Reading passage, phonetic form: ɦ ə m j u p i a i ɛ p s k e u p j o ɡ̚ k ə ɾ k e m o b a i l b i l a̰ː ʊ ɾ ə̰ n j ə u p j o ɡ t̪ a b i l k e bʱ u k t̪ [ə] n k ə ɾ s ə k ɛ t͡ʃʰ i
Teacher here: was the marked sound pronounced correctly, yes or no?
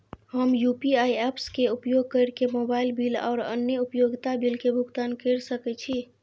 no